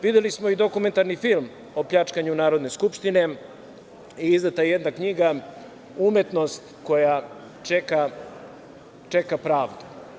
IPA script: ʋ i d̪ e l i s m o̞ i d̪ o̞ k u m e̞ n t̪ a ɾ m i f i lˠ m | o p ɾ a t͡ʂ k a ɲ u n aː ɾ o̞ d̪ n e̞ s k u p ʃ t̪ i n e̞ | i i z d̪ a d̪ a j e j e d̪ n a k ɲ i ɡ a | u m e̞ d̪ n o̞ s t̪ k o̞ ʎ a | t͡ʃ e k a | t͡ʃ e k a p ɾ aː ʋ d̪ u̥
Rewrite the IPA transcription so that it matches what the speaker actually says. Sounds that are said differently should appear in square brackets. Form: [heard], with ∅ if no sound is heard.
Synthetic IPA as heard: ʋ i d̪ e l i s m o̞ i d̪ o̞ k u m e̞ n t̪ a ɾ [n] i f i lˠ m | o p [ʎ] a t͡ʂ k a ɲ u n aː ɾ o̞ d̪ n e̞ s k u p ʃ t̪ i n e̞ | i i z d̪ a [t̪] a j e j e d̪ n a k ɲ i ɡ a | u m e̞ [t̪] n o̞ s t̪ k o̞ [j] a | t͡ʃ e k a | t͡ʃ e k a p ɾ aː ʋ d̪ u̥